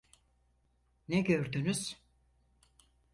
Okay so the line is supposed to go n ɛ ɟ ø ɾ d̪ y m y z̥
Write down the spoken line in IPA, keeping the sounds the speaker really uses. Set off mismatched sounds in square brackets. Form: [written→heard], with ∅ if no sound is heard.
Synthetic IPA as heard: n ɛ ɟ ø ɾ d̪ y [m→n] y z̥